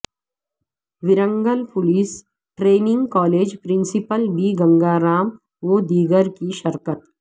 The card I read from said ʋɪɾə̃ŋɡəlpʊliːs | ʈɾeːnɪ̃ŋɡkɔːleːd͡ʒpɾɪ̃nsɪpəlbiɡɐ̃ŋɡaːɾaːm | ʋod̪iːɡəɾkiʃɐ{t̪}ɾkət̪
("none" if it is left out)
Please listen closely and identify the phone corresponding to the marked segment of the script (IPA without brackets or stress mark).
none